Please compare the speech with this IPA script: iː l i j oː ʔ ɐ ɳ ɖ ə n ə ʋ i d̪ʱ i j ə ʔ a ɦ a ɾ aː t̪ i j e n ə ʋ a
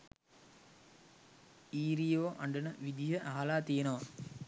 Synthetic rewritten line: iː ɾ i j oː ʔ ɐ ɳ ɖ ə n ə ʋ i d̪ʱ i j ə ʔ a ɦ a l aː t̪ i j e n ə ʋ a